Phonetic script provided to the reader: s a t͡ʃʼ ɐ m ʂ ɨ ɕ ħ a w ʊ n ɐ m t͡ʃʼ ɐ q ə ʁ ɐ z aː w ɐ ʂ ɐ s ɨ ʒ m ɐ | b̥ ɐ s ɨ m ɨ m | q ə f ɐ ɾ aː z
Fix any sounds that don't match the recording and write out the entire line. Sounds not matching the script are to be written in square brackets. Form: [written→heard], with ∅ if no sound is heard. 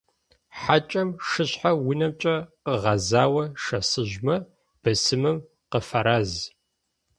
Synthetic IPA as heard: [s→ħ] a t͡ʃʼ ɐ m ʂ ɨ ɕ ħ a w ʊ n ɐ m t͡ʃʼ ɐ q ə ʁ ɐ z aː w ɐ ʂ ɐ s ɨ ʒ m ɐ | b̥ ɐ s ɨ m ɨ m | q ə f ɐ ɾ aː z